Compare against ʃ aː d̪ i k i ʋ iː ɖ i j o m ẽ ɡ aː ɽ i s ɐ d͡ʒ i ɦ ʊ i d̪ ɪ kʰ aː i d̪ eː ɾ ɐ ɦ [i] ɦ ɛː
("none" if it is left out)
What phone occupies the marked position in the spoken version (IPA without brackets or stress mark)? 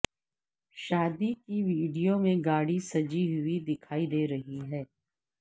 i